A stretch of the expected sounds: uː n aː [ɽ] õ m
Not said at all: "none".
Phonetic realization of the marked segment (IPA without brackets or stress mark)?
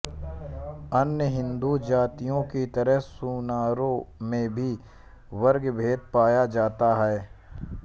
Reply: ɾ